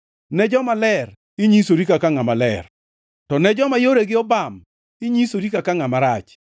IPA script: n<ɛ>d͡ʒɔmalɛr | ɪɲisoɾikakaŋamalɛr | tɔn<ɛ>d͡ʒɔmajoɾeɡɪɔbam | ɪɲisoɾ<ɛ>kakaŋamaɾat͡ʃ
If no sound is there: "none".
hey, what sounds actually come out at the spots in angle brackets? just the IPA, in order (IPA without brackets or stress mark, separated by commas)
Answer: ɛ, ɛ, i